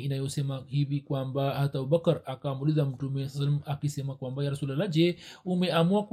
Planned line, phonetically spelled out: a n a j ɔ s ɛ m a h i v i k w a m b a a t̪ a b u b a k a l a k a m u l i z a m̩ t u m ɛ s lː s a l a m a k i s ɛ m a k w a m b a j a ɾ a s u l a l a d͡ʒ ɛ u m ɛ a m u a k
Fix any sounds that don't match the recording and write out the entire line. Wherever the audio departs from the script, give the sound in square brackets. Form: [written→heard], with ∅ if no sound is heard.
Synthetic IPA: [a→i] n a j ɔ s ɛ m a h i v i k w a m b a a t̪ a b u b a k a [l→ɾ] a k a m u l i z a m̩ t u m ɛ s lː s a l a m a k i s ɛ m a k w a m b a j a ɾ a s u l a l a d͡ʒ ɛ u m ɛ a m u a k